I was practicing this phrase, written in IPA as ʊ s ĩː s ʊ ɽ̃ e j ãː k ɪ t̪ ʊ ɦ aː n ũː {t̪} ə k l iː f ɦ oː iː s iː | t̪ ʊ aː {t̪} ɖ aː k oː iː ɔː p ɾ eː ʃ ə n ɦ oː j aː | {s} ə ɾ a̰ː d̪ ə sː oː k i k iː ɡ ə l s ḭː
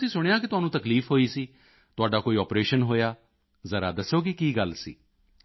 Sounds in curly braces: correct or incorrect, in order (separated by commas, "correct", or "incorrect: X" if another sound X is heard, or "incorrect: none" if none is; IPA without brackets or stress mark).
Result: correct, incorrect: none, incorrect: z